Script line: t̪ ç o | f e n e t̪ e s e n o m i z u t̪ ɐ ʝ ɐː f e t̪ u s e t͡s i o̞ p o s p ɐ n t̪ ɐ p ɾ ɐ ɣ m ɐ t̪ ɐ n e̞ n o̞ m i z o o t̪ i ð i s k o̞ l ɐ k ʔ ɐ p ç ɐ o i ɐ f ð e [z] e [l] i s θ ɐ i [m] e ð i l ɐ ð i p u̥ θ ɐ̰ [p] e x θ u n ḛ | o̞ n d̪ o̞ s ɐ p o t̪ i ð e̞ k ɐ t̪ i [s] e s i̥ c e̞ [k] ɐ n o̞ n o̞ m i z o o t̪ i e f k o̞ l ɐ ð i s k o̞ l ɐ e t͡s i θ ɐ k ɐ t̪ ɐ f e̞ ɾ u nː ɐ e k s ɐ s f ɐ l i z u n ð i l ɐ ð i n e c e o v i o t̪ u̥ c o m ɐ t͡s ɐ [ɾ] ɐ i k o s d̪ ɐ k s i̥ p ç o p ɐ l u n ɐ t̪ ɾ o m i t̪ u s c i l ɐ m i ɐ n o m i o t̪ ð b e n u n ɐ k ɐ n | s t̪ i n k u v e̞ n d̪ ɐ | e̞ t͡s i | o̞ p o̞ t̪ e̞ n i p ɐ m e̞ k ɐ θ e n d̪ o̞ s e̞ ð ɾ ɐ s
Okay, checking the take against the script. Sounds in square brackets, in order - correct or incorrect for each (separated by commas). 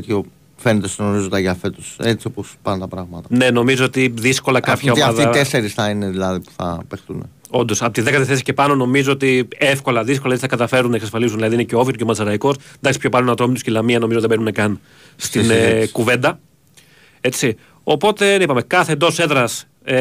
incorrect, incorrect, incorrect, correct, incorrect, incorrect, correct